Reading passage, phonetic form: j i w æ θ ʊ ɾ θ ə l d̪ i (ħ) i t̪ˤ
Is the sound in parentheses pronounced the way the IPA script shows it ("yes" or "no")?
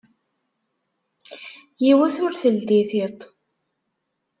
no